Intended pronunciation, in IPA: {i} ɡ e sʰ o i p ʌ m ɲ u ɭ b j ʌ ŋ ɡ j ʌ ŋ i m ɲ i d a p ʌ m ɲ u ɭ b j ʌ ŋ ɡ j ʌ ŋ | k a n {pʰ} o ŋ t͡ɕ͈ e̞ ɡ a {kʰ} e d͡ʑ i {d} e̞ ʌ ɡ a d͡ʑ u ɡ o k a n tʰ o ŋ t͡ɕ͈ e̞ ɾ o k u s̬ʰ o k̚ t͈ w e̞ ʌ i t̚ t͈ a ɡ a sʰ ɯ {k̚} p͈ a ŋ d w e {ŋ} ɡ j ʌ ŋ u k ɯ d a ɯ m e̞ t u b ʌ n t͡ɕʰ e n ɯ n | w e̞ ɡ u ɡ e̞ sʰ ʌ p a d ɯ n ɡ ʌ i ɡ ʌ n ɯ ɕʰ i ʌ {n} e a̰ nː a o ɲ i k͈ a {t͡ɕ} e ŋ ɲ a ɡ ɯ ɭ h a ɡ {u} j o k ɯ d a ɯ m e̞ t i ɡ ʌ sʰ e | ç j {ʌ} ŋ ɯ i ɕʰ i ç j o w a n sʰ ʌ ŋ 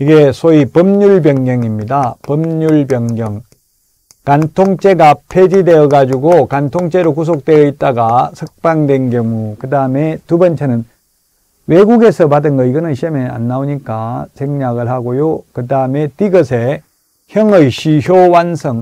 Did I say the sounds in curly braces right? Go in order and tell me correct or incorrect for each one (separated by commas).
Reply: correct, incorrect, incorrect, correct, correct, incorrect, incorrect, correct, incorrect, correct